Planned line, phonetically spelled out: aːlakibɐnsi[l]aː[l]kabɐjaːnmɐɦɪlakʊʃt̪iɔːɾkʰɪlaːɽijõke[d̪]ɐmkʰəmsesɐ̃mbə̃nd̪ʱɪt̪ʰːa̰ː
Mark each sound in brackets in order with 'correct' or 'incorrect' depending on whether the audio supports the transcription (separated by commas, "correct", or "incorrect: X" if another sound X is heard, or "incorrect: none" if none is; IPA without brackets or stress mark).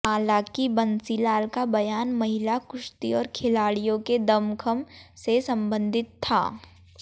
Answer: correct, correct, correct